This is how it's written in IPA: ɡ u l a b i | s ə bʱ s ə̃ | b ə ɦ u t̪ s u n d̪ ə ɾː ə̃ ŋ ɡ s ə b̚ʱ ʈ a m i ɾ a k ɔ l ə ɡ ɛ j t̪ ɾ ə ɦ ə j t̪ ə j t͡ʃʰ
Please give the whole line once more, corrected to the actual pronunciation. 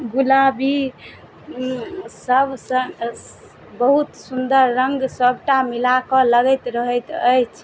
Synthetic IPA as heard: ɡ u l a b i | s ə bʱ s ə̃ | b ə ɦ u t̪ s u n d̪ ə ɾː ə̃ ŋ ɡ s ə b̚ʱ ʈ a m i l a k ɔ l ə ɡ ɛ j t̪ ɾ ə ɦ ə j t̪ ə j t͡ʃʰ